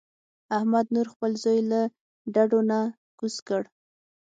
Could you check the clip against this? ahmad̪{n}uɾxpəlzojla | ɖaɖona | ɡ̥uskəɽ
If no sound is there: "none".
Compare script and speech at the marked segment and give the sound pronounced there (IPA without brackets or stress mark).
n